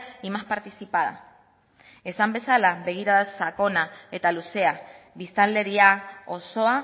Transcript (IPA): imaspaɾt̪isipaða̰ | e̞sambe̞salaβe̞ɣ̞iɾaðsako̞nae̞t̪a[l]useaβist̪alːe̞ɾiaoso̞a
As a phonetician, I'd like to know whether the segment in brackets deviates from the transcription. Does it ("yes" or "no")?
no